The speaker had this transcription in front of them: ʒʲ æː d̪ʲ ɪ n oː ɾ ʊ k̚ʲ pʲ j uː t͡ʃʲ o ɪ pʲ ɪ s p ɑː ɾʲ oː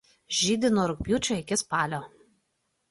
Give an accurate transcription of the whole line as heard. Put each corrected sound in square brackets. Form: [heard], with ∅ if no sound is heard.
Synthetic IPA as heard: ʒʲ [iː] d̪ʲ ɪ n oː ɾ ʊ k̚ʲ pʲ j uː t͡ʃʲ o ɪ [kʲ] ɪ s p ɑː [lʲ] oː